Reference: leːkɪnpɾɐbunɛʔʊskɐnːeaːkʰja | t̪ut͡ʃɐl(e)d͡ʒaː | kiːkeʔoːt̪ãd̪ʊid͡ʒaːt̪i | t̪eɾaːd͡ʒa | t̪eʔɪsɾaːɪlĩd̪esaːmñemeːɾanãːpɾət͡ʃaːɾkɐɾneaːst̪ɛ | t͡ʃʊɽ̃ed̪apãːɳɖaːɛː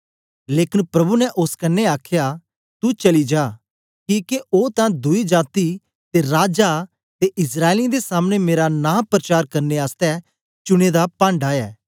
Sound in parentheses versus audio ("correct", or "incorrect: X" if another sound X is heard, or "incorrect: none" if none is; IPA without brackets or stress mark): incorrect: i